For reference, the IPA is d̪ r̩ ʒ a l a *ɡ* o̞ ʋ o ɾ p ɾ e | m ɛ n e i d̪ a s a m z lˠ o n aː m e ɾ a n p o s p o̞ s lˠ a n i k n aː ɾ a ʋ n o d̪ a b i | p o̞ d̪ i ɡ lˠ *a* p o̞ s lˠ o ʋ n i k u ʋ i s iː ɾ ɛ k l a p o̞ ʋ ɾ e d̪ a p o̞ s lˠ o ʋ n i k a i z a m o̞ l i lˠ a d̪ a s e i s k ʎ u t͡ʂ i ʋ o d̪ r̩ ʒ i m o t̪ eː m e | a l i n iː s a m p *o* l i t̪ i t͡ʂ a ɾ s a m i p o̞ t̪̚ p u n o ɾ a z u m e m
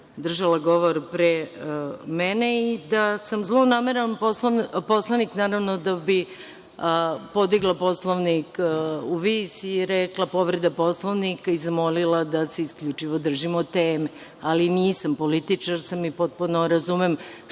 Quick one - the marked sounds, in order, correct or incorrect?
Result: correct, correct, correct

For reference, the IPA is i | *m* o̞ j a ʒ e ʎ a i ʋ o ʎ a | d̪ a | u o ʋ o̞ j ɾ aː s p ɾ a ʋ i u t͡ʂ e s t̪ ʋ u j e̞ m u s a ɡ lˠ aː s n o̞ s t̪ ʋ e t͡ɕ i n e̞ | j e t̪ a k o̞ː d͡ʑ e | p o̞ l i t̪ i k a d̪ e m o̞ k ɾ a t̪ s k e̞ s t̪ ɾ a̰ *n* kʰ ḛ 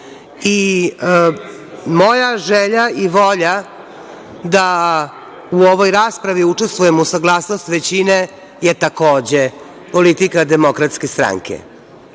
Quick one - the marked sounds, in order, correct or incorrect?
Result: correct, incorrect: ŋ

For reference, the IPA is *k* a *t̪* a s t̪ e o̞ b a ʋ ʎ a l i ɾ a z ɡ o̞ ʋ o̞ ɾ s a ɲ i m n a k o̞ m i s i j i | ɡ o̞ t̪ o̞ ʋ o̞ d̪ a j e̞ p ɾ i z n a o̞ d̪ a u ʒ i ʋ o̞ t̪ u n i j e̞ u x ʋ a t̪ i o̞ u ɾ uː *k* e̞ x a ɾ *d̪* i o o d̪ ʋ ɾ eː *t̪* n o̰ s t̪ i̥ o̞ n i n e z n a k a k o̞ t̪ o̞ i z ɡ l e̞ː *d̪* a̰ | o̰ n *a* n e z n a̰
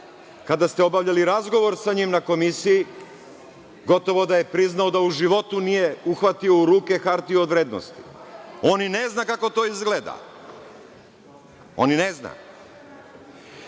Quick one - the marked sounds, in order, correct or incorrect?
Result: correct, incorrect: d̪, correct, incorrect: t̪, incorrect: d̪, correct, incorrect: i

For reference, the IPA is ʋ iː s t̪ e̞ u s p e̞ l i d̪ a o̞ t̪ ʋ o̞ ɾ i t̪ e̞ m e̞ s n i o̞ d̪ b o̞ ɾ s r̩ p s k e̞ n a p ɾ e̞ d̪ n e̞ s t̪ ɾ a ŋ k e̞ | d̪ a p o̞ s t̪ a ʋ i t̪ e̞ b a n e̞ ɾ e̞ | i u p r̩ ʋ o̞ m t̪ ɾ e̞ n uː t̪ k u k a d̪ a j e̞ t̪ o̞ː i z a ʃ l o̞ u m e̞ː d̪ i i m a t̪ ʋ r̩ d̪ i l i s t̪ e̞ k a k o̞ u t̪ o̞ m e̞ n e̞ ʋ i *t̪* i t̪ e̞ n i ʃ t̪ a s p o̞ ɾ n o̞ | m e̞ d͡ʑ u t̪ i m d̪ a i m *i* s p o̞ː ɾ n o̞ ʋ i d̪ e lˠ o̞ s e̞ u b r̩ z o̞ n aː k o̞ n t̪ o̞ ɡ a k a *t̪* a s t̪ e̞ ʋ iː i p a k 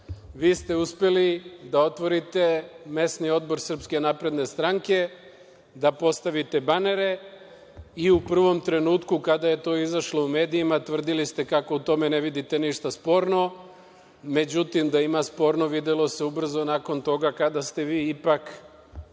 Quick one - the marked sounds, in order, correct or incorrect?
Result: incorrect: d̪, incorrect: a, incorrect: d̪

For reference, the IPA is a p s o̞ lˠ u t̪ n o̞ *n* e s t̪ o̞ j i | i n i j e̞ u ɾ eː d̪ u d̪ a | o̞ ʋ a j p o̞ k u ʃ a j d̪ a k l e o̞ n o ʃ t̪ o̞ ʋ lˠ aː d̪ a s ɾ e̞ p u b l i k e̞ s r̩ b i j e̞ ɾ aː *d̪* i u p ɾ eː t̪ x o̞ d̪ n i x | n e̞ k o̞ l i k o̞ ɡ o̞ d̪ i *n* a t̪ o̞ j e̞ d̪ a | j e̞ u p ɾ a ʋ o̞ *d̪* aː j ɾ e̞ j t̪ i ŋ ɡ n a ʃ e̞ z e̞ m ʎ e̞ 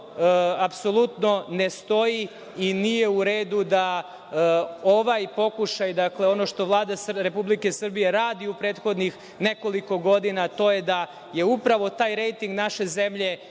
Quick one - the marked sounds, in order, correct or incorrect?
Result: correct, correct, correct, incorrect: t̪

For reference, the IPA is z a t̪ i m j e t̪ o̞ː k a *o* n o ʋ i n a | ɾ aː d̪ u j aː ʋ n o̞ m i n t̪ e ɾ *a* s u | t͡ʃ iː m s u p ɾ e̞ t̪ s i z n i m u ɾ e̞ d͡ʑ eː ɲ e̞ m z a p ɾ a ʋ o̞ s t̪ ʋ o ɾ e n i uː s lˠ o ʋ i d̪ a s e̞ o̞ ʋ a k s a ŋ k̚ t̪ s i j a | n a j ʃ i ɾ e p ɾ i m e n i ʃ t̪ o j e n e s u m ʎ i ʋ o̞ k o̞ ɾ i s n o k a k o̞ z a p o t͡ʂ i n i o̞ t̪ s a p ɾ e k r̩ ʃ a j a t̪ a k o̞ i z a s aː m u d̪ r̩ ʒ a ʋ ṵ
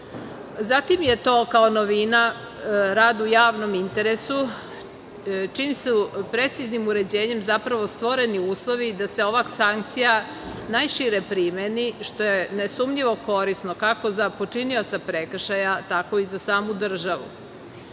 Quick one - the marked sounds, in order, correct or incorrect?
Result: correct, incorrect: e

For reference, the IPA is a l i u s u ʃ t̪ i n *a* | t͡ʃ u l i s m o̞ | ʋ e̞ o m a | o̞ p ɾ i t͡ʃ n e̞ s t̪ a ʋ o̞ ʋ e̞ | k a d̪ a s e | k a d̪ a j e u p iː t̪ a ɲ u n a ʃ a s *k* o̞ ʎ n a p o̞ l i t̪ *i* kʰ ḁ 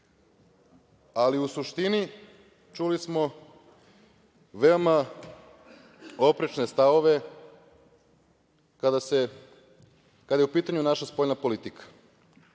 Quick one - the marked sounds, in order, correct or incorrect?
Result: incorrect: i, incorrect: p, correct

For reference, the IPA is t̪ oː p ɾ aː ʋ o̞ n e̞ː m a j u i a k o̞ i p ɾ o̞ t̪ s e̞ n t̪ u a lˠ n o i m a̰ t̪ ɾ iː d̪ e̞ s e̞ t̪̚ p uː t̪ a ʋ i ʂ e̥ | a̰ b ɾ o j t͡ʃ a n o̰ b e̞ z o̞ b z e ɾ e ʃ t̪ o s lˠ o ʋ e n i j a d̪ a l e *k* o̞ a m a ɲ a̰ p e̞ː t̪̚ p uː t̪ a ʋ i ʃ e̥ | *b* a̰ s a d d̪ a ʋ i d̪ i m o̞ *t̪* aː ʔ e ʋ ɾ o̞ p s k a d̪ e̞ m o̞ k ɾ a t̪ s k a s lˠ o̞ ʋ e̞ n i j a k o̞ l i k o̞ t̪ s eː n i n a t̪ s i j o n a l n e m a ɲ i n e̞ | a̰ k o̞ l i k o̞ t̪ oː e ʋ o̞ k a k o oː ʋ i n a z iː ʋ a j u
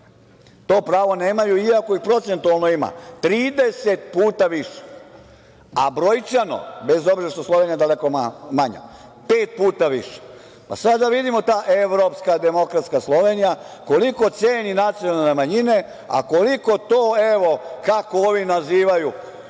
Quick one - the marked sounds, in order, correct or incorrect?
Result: correct, incorrect: p, correct

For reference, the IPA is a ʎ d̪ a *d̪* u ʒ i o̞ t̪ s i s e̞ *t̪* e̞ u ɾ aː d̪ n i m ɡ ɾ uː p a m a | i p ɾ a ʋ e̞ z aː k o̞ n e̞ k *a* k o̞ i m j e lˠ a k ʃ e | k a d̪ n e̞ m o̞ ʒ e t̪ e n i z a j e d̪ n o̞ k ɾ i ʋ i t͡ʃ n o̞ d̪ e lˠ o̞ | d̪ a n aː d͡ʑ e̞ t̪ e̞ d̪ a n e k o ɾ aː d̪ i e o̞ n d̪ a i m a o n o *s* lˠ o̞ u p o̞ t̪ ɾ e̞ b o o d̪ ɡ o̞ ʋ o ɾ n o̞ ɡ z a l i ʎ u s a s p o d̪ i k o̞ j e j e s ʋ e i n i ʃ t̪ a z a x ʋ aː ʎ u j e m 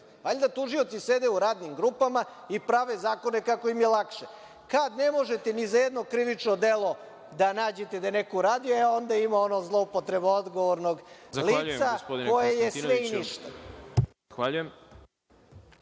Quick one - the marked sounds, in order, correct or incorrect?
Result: incorrect: t̪, incorrect: d̪, correct, incorrect: z

